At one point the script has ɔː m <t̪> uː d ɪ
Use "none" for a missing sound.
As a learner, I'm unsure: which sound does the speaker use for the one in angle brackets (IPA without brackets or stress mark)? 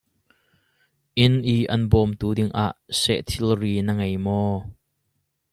t̪